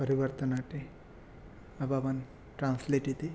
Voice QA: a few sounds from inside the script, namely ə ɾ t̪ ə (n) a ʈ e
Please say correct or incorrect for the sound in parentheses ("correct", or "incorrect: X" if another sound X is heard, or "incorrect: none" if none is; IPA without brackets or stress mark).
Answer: correct